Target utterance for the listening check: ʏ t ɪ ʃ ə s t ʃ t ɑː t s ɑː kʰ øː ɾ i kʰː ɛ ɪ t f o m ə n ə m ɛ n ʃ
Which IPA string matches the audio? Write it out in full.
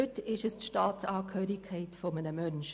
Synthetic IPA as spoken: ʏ t ɪ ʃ ə s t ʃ t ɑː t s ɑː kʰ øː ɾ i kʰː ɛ ɪ t f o m ə n ə m œ n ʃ